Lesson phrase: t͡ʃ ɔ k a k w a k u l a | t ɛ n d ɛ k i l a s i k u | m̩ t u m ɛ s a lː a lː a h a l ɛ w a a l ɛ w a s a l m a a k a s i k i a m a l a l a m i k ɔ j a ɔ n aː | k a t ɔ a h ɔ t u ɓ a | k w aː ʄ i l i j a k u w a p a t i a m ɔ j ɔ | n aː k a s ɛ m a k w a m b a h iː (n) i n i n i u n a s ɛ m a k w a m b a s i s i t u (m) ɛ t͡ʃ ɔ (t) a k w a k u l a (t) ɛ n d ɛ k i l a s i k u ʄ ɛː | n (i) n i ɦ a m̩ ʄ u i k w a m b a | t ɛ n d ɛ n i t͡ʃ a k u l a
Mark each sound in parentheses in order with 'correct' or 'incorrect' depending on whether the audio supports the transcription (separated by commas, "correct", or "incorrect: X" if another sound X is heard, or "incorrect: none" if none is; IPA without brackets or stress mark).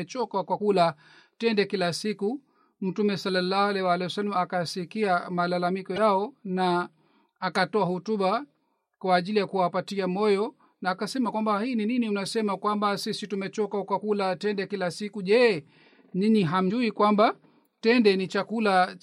correct, correct, incorrect: k, correct, correct